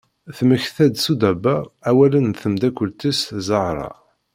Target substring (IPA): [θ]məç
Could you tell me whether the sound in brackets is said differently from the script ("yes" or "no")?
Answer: no